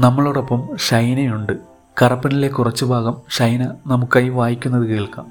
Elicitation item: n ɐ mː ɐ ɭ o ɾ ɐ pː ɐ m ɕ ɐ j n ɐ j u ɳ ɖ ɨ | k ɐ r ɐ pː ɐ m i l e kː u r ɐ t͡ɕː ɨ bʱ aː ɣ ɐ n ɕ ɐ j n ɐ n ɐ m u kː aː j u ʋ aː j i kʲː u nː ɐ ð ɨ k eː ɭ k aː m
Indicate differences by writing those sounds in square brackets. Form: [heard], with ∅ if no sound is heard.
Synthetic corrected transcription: n ɐ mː ɐ ɭ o [ɽ] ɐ pː ɐ m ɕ ɐ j n ɐ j u ɳ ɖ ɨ | k ɐ r ɐ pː ɐ [n] i l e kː u r ɐ t͡ɕː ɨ bʱ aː ɣ ɐ [m] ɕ ɐ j n ɐ n ɐ m u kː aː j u ʋ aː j i kʲː u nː ɐ ð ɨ k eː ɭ k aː m